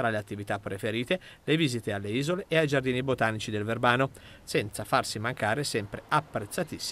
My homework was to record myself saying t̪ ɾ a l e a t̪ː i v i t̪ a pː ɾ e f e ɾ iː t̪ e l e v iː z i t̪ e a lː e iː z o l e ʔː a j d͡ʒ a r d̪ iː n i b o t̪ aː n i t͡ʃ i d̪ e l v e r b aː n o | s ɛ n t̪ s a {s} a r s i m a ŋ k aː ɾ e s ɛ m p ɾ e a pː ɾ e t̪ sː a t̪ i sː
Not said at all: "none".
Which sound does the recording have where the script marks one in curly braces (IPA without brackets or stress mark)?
f